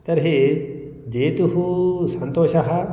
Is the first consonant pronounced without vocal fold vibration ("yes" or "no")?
yes